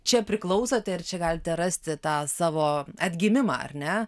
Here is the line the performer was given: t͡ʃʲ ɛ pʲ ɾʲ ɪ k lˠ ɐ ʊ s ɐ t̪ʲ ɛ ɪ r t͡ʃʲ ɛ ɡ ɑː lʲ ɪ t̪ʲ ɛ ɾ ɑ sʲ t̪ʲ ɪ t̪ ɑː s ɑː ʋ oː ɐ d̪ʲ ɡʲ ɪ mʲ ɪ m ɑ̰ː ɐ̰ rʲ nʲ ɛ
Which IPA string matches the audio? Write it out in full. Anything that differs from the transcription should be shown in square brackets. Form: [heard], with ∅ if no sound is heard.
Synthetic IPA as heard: t͡ʃʲ ɛ pʲ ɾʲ ɪ k lˠ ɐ ʊ s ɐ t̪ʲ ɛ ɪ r t͡ʃʲ ɛ ɡ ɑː lʲ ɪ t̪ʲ ɛ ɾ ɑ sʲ t̪ʲ ɪ t̪ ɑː s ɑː ʋ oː ɐ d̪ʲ ɡʲ ɪ mʲ ɪ m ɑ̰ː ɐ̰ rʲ nʲ ɛ